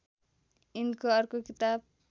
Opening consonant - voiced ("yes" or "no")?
yes